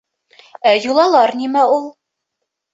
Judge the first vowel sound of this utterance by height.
low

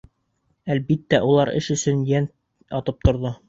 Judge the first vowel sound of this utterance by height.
low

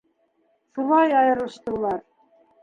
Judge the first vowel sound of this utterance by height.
high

